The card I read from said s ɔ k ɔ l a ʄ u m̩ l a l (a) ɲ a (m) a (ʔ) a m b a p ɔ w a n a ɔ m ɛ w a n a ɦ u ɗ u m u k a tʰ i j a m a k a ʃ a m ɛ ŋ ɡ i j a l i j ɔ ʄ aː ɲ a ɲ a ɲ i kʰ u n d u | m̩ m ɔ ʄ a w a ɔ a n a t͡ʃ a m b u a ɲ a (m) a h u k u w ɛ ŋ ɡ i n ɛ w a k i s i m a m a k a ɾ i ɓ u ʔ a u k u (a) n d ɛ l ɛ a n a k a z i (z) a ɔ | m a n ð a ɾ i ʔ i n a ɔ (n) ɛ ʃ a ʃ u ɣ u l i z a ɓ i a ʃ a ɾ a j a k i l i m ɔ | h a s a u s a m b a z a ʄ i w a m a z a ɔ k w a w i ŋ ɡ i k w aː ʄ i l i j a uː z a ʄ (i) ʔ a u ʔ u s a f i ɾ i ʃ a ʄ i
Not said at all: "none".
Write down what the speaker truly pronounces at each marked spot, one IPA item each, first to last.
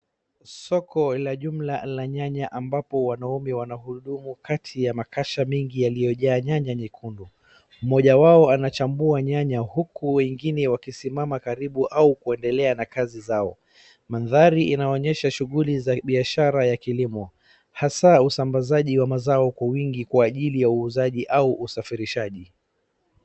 a, ɲ, ʔ, ɲ, ɛ, z, ɲ, i

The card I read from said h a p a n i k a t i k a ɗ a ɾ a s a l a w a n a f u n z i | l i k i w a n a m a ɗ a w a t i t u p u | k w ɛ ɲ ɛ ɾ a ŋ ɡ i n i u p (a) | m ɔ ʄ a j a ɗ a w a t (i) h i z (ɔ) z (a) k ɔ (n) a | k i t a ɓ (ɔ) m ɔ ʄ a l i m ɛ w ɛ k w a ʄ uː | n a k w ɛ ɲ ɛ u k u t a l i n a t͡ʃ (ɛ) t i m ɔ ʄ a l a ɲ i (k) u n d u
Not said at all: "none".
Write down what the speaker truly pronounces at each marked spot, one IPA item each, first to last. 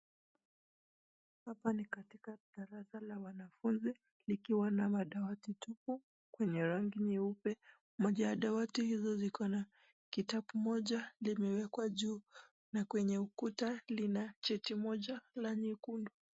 ɛ, i, ɔ, i, n, u, ɛ, k

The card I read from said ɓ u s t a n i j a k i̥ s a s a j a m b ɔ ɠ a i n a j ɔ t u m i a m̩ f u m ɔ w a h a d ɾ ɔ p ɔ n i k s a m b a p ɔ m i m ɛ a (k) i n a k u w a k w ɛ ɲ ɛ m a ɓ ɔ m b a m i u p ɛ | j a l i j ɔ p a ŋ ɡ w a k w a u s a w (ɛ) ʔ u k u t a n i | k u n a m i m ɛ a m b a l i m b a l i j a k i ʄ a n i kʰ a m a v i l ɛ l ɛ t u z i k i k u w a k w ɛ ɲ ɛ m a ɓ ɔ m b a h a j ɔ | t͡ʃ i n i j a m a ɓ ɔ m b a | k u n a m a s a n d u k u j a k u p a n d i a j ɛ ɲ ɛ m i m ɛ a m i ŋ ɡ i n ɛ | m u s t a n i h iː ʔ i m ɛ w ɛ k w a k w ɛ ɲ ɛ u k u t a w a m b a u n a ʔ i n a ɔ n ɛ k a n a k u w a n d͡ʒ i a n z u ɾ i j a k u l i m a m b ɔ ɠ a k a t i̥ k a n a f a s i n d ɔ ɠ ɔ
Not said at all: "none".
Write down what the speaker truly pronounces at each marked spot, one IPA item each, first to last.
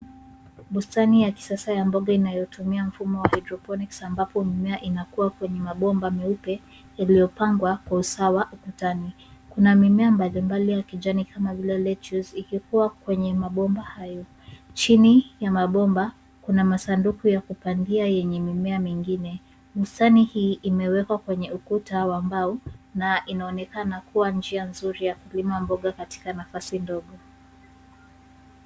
ʔ, a

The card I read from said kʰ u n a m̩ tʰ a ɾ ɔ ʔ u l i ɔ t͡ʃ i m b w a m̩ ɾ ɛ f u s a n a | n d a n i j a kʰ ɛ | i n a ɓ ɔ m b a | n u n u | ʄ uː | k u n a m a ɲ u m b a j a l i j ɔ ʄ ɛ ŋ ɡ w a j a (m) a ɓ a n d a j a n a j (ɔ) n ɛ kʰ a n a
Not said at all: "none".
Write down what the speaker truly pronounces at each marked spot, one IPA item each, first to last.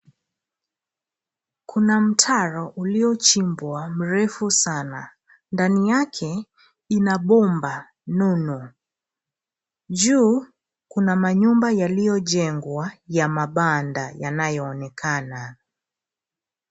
m, ɔː

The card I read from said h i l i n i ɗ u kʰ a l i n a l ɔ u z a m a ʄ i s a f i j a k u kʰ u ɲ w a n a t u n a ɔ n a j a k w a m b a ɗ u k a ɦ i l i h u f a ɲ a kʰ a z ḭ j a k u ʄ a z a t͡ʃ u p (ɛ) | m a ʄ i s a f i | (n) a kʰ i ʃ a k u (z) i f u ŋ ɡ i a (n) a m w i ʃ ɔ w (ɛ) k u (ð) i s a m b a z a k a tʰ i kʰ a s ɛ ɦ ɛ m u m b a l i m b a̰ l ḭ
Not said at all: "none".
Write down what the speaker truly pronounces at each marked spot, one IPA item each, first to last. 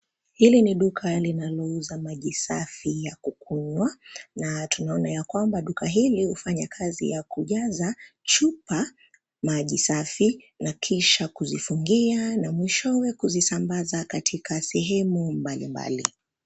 a, n, z, n, ɛ, z

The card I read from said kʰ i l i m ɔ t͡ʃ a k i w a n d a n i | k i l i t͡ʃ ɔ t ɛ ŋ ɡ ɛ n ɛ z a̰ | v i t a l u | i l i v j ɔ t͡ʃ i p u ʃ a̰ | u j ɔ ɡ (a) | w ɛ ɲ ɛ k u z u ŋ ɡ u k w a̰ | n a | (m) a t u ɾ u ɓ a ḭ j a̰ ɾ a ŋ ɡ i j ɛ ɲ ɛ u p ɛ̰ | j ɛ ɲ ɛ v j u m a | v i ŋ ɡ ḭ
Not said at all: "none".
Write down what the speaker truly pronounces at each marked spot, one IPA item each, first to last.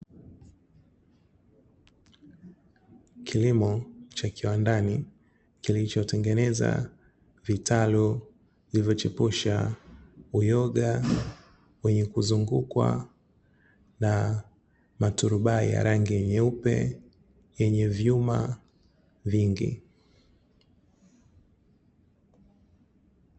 a, m

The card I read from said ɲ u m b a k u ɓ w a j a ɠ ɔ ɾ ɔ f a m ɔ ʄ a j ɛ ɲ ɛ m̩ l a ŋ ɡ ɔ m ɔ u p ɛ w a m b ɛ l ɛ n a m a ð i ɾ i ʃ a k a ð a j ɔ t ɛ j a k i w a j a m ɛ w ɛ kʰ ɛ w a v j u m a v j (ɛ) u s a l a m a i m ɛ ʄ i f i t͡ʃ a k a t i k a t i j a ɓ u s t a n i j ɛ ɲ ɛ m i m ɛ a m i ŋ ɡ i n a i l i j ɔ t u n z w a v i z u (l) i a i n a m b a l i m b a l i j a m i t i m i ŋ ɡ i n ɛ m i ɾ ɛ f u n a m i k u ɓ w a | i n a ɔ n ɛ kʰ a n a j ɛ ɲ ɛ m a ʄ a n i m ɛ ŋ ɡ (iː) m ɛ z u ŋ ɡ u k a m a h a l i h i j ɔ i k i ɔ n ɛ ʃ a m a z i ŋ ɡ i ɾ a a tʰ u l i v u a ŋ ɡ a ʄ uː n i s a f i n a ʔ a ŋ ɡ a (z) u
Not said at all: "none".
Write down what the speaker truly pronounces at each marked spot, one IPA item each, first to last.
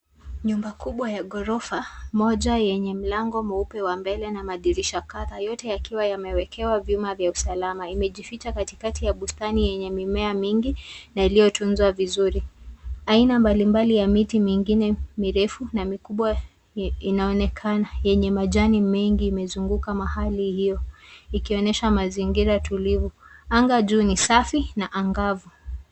a, ɾ, iː, v

